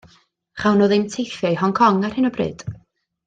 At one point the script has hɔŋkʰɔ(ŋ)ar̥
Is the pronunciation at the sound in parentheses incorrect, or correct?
correct